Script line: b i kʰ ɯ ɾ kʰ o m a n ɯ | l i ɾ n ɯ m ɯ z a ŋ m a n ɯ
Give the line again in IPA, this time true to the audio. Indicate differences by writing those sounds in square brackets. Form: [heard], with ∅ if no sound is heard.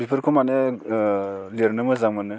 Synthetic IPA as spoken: b i [pʰ] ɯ ɾ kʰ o m a n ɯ | l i ɾ n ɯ m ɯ z a ŋ m a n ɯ